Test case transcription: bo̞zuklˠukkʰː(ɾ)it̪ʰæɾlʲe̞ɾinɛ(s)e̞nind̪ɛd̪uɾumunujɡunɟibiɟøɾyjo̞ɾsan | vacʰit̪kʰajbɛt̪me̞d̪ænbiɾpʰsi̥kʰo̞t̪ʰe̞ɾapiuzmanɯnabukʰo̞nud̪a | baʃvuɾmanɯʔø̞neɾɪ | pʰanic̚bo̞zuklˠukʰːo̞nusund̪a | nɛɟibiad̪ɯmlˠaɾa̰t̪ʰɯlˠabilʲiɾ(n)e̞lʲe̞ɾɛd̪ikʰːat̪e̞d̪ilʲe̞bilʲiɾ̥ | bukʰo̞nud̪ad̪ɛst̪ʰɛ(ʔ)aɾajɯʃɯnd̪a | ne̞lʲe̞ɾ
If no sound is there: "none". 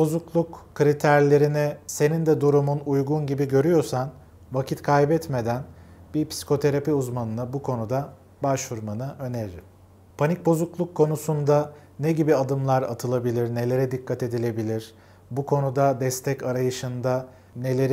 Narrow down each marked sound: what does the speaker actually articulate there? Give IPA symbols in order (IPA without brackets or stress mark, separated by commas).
ɾ, s, n, c